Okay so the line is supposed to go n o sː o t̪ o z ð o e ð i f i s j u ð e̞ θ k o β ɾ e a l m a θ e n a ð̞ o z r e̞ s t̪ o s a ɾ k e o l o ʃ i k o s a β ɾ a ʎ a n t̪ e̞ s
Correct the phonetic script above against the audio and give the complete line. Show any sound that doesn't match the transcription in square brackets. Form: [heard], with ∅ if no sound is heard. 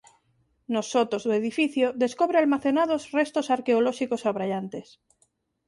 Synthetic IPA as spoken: n o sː o t̪ o z ð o e ð i f i [θ] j [o] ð e̞ [s] k o β ɾ e a l m a θ e n a ð̞ o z r e̞ s t̪ o s a ɾ k e o l o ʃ i k o s a β ɾ a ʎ a n t̪ e̞ s

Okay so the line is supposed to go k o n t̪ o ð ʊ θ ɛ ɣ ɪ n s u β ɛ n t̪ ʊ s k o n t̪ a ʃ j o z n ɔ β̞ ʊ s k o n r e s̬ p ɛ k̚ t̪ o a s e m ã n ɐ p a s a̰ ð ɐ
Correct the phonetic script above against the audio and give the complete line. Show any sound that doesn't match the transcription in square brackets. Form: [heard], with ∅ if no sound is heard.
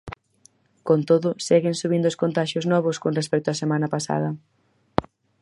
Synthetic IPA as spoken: k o n t̪ o ð ʊ [s] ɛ ɣ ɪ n s u β [i] n [d̪] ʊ s k o n t̪ a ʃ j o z n ɔ β̞ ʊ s k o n r e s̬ p ɛ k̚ t̪ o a s e m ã n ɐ p a s a̰ ð ɐ

